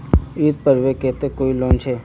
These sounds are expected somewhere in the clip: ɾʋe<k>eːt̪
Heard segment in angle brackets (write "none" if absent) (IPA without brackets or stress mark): k